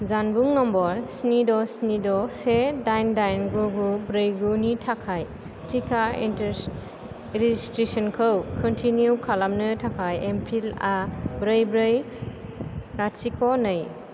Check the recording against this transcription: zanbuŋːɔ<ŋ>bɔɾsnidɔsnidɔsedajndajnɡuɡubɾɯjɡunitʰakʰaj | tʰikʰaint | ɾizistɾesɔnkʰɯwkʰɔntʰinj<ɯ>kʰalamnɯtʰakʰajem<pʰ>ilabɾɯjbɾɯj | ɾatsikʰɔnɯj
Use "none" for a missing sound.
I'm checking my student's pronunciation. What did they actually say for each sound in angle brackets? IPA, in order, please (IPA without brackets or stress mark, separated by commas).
m, u, pʰ